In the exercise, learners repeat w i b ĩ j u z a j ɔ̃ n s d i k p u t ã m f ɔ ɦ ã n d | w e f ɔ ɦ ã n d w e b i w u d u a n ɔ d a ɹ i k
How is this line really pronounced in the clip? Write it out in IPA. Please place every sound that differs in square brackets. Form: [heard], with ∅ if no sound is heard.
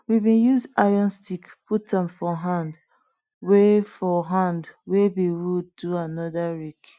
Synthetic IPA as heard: w i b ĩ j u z a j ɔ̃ n s [t] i k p u t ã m f ɔ ɦ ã n d | w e f ɔ ɦ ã n d w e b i w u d u a n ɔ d a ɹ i k